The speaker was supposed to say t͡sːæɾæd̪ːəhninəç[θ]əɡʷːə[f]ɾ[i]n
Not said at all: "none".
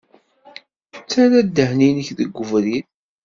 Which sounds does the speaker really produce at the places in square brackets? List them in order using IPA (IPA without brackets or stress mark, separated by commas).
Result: ð, v, i